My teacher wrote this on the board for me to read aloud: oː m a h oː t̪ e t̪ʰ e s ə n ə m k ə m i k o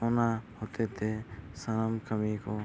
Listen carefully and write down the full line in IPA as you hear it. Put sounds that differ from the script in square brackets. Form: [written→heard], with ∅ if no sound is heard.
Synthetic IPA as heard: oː [m→n] a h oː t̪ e t̪ʰ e s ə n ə m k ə m i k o